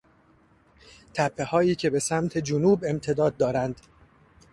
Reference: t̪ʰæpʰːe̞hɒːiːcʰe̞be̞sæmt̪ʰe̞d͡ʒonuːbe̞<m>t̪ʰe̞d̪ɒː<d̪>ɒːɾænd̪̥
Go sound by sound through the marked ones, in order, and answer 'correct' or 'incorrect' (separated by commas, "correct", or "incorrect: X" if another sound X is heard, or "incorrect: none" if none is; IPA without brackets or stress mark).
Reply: correct, incorrect: d̪ː